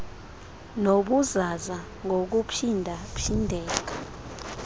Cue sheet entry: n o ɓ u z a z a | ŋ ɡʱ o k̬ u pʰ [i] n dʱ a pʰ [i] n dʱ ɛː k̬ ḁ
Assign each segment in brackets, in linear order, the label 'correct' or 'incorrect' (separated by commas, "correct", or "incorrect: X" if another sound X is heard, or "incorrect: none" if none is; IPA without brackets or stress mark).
correct, correct